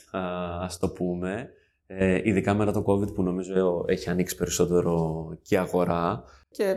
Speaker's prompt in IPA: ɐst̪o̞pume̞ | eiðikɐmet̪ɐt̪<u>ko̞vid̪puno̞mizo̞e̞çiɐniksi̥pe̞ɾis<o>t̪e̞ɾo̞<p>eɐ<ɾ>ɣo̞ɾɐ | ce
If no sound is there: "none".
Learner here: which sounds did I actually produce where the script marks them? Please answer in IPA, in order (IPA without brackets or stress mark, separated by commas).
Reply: o, o, c, none